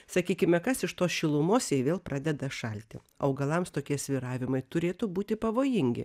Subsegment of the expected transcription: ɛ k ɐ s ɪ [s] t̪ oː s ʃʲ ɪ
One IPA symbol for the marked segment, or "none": ʃ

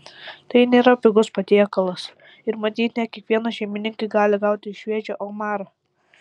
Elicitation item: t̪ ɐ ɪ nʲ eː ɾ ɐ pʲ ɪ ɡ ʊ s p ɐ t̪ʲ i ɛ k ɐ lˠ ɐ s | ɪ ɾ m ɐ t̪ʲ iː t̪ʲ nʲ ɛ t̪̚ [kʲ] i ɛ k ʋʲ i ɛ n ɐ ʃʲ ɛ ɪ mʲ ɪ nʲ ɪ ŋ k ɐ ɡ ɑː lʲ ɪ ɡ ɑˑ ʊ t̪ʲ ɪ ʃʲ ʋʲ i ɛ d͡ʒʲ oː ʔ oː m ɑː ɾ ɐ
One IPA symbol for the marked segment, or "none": kʲ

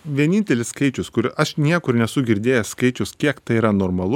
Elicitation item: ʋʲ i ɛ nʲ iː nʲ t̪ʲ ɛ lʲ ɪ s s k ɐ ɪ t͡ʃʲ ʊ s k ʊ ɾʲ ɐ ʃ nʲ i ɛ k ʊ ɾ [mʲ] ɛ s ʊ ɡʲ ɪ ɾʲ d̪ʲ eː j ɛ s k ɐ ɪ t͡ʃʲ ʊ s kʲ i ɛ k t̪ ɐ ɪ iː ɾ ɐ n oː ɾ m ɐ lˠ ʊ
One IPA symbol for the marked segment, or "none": nʲ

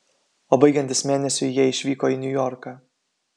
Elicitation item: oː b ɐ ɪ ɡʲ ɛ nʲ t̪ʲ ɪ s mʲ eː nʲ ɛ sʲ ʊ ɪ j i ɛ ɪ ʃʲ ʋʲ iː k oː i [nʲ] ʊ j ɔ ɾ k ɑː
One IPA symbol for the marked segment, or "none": nʲ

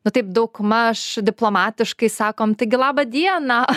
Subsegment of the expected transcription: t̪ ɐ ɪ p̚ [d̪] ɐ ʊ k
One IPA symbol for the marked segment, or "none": d̪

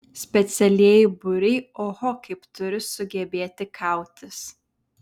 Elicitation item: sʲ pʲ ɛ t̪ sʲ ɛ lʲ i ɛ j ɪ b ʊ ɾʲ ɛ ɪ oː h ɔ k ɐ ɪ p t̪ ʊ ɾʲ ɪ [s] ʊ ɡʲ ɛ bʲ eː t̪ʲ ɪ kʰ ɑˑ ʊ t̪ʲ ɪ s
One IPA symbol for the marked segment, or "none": s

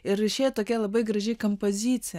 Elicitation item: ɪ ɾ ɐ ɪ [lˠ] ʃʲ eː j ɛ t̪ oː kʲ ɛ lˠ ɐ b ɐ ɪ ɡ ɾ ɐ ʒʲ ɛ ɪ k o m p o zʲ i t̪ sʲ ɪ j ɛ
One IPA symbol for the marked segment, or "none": none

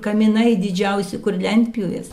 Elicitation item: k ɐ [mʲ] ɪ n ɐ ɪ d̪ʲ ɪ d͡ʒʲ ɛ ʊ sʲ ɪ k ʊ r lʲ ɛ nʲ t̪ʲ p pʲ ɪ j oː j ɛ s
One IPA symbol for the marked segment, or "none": mʲ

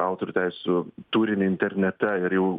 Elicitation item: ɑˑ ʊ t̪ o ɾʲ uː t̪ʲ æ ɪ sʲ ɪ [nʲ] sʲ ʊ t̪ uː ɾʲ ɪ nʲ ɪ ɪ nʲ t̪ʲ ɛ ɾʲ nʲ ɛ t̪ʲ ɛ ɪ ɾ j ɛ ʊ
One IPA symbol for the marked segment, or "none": none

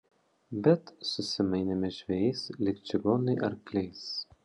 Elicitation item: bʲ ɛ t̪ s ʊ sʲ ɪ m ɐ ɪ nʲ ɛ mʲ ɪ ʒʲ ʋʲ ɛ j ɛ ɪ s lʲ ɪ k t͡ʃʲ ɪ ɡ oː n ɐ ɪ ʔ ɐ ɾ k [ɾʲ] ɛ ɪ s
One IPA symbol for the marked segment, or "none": lʲ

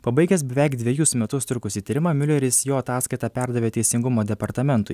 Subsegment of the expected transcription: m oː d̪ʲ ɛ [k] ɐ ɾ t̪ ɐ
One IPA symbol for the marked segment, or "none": p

